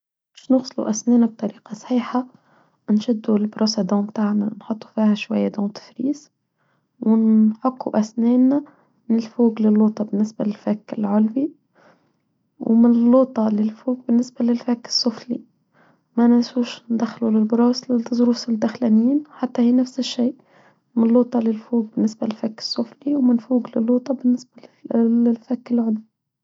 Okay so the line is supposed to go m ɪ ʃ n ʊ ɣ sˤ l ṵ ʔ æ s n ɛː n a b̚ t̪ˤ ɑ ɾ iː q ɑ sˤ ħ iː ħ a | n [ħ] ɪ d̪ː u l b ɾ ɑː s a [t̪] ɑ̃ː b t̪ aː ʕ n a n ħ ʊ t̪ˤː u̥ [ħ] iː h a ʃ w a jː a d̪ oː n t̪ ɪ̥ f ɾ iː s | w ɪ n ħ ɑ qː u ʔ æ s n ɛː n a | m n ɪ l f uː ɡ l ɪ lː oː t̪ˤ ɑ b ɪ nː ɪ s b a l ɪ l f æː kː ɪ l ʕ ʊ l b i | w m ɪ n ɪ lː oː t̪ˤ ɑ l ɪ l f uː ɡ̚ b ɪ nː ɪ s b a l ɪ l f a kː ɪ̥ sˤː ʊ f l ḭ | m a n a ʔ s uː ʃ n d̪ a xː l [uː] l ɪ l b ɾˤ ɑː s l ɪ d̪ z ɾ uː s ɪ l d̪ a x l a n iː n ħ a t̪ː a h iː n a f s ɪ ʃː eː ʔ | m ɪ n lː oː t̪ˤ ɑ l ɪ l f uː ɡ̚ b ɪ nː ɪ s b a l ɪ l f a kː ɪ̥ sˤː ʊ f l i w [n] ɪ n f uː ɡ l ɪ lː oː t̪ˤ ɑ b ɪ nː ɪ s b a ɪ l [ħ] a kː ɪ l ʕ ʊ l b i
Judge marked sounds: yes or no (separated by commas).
no, no, no, no, no, no